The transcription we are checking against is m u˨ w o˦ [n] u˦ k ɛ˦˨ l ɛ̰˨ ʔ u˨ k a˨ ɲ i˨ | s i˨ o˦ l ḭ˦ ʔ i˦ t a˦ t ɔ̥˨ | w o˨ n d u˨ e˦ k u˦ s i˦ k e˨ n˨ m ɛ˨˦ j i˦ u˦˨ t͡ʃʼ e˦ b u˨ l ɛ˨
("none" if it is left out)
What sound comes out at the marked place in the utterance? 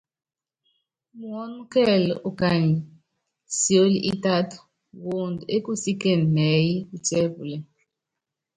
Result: n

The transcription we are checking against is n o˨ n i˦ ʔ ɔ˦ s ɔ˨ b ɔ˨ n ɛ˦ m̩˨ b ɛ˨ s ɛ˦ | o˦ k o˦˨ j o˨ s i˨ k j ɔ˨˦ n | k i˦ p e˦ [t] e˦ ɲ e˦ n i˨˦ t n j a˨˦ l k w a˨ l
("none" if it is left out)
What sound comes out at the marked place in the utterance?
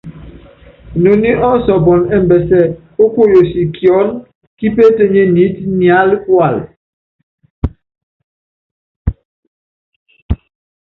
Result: t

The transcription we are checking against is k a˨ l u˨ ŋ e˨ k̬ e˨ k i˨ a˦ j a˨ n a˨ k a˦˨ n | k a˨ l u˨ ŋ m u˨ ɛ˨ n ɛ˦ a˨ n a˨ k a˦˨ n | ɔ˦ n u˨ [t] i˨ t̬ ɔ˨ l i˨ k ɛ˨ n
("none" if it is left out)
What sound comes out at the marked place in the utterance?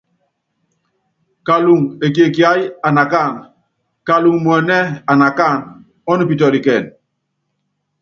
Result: p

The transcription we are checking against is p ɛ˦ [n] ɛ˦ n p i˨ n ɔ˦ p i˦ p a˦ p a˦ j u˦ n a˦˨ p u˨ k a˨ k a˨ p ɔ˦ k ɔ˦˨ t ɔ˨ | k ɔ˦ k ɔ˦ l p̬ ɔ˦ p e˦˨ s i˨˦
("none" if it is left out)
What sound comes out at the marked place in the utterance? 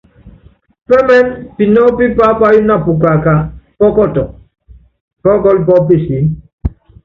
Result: m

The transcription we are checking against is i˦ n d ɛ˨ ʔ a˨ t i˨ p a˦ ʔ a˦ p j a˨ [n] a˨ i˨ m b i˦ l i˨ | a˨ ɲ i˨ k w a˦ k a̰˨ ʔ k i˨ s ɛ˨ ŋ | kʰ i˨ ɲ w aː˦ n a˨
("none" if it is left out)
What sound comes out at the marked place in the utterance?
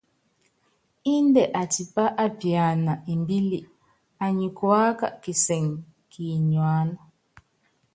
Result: n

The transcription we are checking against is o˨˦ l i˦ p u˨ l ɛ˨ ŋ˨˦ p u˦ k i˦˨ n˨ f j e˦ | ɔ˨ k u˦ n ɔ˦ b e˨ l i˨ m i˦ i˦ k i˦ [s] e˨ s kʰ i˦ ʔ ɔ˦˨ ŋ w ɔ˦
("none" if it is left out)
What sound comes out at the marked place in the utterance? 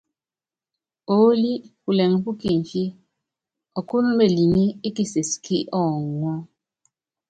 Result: s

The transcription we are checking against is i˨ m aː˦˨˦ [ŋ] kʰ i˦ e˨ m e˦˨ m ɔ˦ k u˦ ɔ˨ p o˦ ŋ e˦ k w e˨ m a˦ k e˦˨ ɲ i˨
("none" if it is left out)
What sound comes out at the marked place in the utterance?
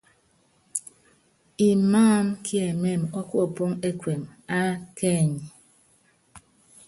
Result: m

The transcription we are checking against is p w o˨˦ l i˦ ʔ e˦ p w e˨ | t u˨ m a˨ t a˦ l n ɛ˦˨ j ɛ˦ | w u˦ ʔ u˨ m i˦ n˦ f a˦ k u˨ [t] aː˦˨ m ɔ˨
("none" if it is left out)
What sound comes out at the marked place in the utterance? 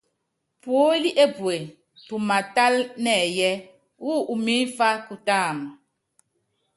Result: t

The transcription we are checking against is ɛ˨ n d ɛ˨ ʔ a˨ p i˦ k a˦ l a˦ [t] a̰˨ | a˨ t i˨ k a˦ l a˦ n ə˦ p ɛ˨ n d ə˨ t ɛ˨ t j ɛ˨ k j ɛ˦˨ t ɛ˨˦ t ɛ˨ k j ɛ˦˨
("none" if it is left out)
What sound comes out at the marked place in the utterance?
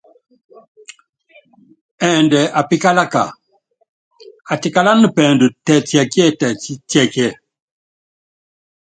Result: k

